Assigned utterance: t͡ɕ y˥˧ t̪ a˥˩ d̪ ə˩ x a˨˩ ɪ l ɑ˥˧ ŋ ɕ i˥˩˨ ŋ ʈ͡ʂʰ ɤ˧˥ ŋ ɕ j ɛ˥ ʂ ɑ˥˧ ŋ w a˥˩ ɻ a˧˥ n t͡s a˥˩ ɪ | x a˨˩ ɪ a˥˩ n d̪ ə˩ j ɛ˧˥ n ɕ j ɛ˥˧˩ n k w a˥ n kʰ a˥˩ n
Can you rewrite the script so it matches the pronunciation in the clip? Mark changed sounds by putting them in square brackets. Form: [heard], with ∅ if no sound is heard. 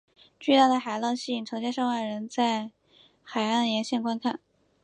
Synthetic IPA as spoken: t͡ɕ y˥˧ t̪ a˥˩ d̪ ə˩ x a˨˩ ɪ l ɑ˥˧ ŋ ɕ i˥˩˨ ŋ ʈ͡ʂʰ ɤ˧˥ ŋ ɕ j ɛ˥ ʂ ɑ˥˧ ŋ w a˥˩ ɻ [ə˧˥] n t͡s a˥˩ ɪ | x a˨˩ ɪ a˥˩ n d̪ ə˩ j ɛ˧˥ n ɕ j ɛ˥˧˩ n k w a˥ n kʰ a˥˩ n